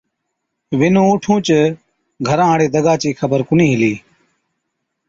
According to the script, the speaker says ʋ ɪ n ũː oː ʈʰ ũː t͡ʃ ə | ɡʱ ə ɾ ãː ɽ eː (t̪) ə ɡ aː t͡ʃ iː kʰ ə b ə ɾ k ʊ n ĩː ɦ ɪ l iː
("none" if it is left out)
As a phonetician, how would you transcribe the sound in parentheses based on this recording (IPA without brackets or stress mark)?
d̪